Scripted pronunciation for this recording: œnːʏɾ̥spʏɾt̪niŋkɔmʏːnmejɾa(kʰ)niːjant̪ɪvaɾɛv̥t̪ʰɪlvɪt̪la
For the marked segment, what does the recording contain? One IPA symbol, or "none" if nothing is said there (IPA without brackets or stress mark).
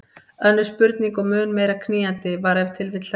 kʰ